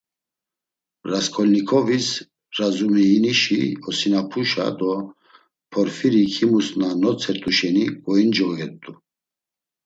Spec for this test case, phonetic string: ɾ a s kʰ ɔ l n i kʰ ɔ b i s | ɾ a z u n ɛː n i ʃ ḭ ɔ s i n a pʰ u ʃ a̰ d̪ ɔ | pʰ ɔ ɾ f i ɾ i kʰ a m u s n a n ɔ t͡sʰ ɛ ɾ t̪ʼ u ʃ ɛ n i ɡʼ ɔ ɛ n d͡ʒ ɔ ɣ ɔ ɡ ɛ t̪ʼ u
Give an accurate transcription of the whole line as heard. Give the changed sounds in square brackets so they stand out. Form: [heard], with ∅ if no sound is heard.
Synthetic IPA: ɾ a s kʰ ɔ l n i kʰ ɔ [v] i s | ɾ a z u [m] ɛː n i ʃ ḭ ɔ s i n a pʰ u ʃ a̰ d̪ ɔ | pʰ ɔ ɾ f i ɾ i kʰ [i] m u s n a n ɔ t͡sʰ ɛ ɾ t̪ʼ u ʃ ɛ n i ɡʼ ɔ [i] n d͡ʒ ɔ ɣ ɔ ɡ ɛ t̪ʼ u